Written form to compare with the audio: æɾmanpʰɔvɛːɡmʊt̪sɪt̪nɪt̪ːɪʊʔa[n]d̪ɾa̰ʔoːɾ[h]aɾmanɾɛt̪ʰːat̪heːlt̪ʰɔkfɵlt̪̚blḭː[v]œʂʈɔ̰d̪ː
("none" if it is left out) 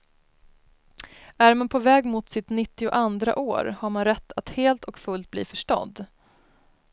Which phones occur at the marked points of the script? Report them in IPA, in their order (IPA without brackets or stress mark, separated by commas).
n, h, f